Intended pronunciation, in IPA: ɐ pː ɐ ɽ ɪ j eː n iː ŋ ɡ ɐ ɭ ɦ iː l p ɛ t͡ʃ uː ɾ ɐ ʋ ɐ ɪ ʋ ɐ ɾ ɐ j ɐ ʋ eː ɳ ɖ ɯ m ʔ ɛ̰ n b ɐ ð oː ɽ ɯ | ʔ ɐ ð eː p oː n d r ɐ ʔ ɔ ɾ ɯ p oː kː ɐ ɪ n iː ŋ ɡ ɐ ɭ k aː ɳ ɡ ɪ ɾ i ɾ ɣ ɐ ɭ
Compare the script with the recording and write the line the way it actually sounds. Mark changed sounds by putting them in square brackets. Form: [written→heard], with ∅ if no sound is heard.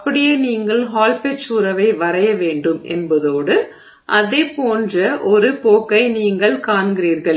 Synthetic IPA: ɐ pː ɐ ɽ ɪ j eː n iː ŋ ɡ ɐ ɭ ɦ [iː→aː] l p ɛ t͡ʃ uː ɾ ɐ ʋ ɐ ɪ ʋ ɐ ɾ ɐ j ɐ ʋ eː ɳ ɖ ɯ m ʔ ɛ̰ n b ɐ ð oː ɽ ɯ | ʔ ɐ ð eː p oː n d r ɐ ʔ ɔ ɾ ɯ p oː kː ɐ ɪ n iː ŋ ɡ ɐ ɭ k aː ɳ ɡ ɪ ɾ [i→iː] ɾ ɣ ɐ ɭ